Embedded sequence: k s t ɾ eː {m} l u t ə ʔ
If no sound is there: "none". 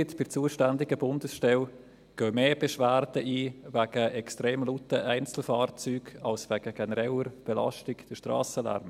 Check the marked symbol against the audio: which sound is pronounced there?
m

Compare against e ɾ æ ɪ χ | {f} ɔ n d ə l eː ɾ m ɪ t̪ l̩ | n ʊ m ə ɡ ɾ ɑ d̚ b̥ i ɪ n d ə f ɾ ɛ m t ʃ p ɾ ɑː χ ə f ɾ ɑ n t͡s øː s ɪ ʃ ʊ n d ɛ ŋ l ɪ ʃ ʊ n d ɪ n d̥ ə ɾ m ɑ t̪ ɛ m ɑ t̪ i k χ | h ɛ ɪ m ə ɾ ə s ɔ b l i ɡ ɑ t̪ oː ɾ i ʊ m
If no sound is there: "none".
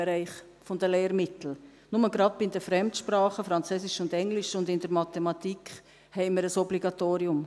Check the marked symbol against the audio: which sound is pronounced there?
f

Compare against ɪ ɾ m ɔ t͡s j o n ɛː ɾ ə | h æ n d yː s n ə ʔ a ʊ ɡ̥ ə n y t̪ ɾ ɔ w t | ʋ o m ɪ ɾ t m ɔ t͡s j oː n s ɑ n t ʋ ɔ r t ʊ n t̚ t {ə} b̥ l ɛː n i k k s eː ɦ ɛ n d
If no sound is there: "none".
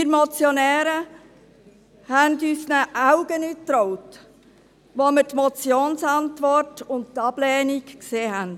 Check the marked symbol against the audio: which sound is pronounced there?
ɑ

